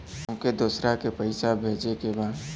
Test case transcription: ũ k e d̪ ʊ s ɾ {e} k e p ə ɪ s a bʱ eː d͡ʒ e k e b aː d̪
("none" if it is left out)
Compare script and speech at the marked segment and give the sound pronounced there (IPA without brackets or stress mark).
a